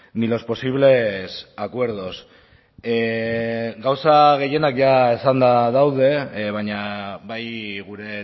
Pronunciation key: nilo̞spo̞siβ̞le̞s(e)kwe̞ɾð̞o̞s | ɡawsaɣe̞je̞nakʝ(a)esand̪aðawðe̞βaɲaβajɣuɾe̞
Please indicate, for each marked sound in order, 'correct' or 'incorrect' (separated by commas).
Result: incorrect, correct